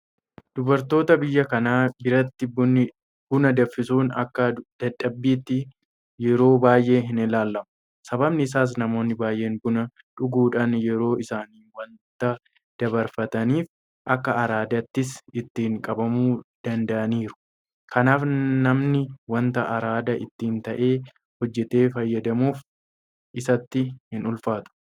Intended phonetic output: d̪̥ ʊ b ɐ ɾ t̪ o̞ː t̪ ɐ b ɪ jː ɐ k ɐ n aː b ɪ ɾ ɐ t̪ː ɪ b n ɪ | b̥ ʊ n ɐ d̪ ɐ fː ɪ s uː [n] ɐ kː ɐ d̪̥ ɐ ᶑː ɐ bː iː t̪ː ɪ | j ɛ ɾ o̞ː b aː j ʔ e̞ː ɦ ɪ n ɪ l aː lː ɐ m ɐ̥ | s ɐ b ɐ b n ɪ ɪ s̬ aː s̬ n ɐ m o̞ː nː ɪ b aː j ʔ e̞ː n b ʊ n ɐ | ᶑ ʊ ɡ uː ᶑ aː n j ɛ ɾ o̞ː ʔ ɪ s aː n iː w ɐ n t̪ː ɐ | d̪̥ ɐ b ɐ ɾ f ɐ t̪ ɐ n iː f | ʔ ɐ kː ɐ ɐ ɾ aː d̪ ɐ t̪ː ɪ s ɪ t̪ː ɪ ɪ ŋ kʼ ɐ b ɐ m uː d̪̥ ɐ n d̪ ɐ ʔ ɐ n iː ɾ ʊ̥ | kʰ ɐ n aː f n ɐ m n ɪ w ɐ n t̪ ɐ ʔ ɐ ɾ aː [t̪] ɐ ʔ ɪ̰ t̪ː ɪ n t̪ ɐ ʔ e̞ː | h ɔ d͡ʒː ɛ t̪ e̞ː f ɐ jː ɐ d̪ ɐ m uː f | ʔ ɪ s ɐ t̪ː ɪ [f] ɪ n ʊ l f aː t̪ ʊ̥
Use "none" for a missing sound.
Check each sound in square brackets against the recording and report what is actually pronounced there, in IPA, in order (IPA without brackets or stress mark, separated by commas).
n, d̪, h